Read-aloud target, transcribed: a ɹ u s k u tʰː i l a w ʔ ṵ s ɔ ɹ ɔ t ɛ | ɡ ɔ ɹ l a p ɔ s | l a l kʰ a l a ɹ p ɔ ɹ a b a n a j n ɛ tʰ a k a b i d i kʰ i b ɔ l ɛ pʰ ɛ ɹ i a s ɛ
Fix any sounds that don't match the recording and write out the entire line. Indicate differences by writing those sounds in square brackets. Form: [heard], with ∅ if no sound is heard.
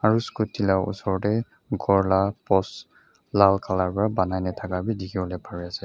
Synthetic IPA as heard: a ɹ u s k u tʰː i l a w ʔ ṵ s ɔ ɹ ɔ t ɛ | ɡ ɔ ɹ l a p ɔ s | l a l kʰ a l a ɹ p ɔ ɹ a b a n a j n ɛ tʰ a k a b i d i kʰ i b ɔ l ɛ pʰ [a] ɹ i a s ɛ